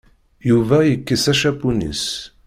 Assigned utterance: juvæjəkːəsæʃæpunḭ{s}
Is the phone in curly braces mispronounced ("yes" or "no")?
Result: no